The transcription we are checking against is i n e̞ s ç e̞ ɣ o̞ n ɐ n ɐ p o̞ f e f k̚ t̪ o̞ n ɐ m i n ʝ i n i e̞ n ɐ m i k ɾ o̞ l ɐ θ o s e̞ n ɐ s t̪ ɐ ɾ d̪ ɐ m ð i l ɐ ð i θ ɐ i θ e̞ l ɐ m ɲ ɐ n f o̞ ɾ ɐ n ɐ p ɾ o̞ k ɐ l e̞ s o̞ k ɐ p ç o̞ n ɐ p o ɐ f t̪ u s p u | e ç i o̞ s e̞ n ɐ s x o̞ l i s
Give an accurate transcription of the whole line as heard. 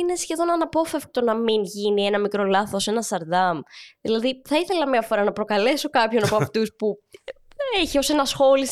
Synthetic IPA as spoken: i n e̞ s ç e̞ ð o̞ n ɐ n ɐ p o̞ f e f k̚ t̪ o̞ n ɐ m i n ʝ i n i e̞ n ɐ m i k ɾ o̞ l ɐ θ o s e̞ n ɐ s t̪ ɐ ɾ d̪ ɐ m ð i l ɐ ð i θ ɐ i θ e̞ l ɐ m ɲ ɐ f o̞ ɾ ɐ n ɐ p ɾ o̞ k ɐ l e̞ s o̞ k ɐ p ç o̞ n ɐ p o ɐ f t̪ u s p u | e ç i o̞ s e̞ n ɐ s x o̞ l i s